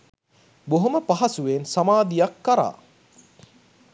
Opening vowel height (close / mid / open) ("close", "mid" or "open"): mid